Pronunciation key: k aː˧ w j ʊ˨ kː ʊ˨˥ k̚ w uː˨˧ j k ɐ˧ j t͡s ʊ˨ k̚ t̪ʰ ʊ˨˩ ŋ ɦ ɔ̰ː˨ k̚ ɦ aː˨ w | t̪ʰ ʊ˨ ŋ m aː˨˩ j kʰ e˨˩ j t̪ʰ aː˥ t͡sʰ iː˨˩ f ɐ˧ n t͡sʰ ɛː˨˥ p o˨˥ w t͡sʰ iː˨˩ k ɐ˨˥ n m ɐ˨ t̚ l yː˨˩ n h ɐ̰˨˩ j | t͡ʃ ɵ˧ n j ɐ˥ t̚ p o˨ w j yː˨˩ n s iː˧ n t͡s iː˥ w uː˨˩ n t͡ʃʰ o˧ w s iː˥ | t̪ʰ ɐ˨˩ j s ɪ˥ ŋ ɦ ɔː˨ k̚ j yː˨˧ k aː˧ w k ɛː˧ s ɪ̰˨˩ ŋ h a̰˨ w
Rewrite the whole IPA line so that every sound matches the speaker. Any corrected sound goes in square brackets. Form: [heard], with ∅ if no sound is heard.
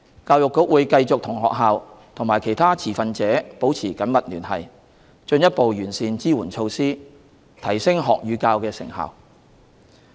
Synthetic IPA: k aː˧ w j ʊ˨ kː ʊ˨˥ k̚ w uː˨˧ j k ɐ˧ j t͡s ʊ˨ k̚ t̪ʰ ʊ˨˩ ŋ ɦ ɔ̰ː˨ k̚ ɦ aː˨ w | t̪ʰ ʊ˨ ŋ m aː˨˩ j kʰ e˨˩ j t̪ʰ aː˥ t͡sʰ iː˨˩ f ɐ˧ n [t͡s] ɛː˨˥ p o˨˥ w t͡sʰ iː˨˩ k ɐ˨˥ n m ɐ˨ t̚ l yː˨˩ n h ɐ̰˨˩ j | t͡ʃ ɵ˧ n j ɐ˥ t̚ p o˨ w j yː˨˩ n s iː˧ n t͡s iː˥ w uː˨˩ n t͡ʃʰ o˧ w s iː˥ | t̪ʰ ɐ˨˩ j s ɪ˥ ŋ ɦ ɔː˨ k̚ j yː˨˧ k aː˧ w k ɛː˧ s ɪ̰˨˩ ŋ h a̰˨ w